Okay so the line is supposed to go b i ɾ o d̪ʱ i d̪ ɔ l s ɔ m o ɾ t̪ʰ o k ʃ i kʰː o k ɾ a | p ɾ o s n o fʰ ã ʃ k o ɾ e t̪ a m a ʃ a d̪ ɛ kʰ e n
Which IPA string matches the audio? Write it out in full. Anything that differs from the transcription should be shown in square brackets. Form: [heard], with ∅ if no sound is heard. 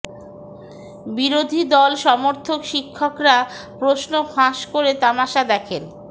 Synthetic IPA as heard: b i ɾ o d̪ʱ i d̪ ɔ l [ʃ] ɔ m o ɾ t̪ʰ o k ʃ i kʰː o k ɾ a | p ɾ o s n o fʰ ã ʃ k o ɾ e t̪ a m a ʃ a d̪ ɛ kʰ e n